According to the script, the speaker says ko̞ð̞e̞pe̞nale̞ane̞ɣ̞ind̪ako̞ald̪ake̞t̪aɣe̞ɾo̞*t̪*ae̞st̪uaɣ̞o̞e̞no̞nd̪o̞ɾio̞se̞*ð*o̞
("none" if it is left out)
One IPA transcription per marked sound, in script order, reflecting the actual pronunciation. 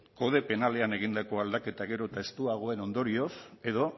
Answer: t̪, ð

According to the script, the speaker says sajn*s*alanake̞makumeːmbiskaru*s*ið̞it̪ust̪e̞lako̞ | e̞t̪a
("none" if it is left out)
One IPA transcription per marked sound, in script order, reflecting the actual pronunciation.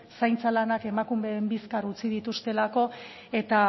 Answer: t͡s, t͡s

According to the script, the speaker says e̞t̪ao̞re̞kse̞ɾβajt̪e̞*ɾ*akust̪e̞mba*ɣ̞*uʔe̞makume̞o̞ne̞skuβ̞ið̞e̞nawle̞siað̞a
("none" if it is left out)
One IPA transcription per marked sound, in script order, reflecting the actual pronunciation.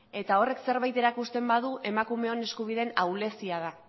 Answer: ɾ, ð̞

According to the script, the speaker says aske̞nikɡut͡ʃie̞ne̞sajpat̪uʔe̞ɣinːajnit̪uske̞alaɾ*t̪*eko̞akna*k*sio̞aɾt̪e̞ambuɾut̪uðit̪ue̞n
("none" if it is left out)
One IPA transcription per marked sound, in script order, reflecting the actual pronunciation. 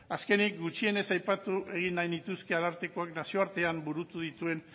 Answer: t̪, none

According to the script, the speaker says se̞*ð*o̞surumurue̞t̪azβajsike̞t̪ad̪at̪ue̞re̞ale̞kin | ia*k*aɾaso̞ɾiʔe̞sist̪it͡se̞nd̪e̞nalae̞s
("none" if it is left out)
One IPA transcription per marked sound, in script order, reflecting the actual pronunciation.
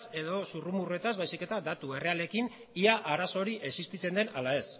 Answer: ð, ʔ

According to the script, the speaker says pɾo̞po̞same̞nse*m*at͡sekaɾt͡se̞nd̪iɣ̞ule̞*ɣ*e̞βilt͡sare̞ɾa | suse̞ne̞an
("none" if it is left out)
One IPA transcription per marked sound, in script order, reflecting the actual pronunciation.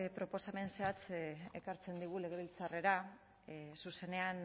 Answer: none, ɣ

